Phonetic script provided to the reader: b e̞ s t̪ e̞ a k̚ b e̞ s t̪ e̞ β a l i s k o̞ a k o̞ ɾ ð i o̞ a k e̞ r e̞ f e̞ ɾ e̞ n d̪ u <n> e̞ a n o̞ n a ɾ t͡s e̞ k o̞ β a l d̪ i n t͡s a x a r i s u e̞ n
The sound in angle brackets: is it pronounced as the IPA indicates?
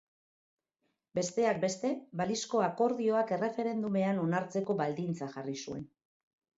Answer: no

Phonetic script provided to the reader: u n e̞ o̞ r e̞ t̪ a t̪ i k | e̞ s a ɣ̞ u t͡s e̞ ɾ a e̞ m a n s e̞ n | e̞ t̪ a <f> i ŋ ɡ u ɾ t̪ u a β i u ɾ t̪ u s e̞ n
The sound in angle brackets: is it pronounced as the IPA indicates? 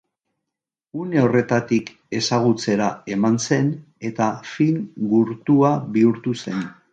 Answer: yes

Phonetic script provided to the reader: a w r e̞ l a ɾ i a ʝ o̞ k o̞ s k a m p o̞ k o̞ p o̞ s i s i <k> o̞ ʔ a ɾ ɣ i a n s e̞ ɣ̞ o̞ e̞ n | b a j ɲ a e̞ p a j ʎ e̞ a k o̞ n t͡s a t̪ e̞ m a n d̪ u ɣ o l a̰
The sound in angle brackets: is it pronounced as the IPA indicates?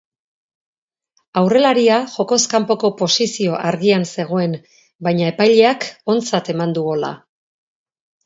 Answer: no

